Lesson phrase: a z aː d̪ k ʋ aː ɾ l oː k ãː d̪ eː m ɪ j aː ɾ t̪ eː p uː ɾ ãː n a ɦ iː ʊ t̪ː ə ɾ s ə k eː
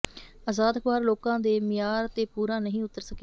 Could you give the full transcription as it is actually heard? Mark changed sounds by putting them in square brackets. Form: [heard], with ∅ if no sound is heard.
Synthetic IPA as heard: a z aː d̪ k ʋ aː ɾ l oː k ãː d̪ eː m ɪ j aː ɾ t̪ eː p uː ɾ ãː n [ə] ɦ [ĩː] ʊ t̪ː ə ɾ s ə k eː